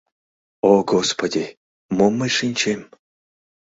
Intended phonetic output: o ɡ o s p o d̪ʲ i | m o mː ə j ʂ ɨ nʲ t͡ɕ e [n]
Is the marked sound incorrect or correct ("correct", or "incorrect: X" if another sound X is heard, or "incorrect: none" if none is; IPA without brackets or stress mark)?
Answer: incorrect: m